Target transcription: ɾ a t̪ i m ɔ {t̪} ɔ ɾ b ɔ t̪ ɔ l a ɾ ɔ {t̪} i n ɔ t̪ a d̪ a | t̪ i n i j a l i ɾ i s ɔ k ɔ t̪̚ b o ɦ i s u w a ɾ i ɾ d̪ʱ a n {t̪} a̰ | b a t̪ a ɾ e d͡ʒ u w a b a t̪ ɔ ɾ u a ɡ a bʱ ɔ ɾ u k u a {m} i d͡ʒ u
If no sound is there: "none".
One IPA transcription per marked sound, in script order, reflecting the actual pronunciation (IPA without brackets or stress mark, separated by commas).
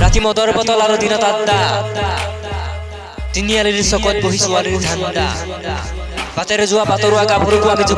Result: d̪, d̪, d̪, m